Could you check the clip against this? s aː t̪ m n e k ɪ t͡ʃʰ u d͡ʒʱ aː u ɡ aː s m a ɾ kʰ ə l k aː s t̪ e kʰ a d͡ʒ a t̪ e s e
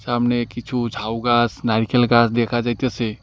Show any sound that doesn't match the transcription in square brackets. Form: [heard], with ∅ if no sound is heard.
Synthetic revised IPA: s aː [∅] m n e k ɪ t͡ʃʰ u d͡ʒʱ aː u ɡ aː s [n] a ɾ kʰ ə l [ɡ] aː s [d̪] e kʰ a d͡ʒ a t̪ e s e